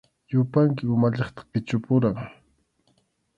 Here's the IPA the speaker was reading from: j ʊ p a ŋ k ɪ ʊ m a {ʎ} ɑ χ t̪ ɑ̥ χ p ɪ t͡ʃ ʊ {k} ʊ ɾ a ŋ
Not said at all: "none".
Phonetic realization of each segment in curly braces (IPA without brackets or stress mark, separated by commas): ʎ, p